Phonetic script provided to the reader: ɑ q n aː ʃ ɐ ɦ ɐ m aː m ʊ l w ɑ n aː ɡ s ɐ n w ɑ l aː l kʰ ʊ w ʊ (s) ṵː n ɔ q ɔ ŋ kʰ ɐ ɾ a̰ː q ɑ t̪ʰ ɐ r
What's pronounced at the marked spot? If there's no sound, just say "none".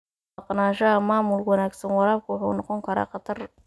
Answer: ħ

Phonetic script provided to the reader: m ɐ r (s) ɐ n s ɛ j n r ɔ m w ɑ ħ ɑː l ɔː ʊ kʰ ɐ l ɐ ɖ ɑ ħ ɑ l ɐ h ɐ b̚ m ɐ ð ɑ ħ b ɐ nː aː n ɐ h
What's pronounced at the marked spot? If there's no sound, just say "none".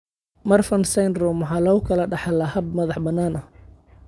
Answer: f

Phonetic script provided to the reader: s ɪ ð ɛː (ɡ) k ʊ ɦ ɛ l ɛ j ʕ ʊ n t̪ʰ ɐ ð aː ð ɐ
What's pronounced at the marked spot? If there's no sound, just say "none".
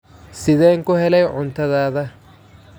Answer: ŋ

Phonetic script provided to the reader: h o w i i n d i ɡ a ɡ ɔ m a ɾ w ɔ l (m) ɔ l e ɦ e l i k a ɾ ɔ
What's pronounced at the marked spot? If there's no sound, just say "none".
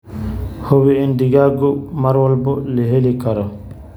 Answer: b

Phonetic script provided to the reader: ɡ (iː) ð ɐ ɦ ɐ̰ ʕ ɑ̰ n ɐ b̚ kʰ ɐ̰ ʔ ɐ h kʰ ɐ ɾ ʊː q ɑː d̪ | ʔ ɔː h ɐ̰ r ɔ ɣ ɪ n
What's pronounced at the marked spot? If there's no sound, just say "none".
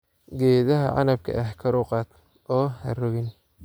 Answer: ɛː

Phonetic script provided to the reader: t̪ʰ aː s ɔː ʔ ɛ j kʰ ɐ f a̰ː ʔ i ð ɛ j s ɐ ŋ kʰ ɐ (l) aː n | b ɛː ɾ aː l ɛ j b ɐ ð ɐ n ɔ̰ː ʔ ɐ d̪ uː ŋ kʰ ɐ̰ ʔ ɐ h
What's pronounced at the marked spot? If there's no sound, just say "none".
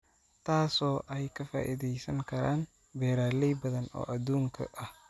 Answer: ɾ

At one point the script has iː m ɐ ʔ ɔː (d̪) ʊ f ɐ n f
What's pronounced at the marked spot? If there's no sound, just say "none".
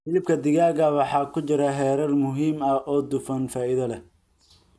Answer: d̪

